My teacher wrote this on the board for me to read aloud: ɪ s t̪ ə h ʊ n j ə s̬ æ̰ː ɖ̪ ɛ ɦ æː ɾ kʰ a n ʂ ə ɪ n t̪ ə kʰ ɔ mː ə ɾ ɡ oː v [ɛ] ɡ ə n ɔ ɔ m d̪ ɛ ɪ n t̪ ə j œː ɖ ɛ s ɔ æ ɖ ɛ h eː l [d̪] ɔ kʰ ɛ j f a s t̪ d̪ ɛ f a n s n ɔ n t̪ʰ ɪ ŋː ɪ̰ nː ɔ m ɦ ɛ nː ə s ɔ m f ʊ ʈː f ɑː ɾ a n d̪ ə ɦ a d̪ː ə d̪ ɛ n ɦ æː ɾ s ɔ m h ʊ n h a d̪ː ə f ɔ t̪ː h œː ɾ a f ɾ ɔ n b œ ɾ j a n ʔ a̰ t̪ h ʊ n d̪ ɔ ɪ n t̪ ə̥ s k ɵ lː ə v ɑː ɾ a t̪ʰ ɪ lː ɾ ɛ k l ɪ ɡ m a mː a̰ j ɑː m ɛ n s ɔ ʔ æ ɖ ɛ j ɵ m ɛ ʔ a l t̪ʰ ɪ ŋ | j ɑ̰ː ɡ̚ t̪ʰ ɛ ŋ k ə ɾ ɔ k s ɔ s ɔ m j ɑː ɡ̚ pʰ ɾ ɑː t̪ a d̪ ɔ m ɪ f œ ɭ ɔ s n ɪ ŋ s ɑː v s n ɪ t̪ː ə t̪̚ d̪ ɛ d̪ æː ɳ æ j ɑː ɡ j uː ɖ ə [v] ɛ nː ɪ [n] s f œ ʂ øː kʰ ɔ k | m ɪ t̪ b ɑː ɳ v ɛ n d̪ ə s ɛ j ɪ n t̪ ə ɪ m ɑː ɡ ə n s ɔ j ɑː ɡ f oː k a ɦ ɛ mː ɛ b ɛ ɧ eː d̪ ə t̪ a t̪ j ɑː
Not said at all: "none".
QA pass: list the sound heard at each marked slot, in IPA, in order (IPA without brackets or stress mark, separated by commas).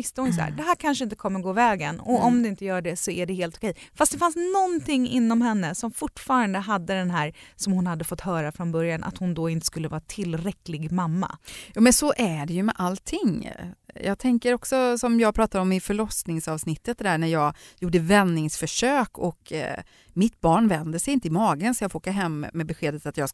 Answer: ɛː, t̪, v, ŋ